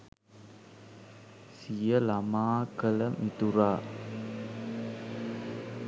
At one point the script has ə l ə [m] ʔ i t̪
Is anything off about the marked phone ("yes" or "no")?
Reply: no